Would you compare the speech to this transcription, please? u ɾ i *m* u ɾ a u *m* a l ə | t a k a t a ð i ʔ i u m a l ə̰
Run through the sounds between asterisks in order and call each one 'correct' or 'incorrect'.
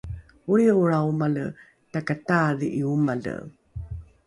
incorrect: none, correct

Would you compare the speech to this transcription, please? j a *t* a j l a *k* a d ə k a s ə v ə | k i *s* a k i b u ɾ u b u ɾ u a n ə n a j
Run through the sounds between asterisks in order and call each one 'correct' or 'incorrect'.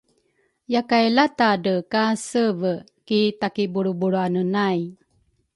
incorrect: k, incorrect: t, incorrect: t

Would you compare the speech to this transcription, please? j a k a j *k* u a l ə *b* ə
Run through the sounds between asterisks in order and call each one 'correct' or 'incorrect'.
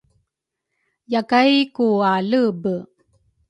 correct, correct

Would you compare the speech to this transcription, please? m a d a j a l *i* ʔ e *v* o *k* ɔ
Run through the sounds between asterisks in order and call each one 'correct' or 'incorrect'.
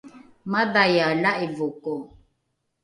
incorrect: a, correct, correct

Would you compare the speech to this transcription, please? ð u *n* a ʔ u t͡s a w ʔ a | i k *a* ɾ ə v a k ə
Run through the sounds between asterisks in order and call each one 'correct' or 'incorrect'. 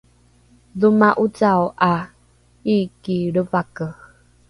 incorrect: m, incorrect: i

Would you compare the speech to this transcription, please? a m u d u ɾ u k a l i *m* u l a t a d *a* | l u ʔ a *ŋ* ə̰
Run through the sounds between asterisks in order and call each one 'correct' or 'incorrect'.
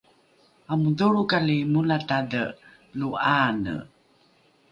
correct, incorrect: ə, incorrect: n

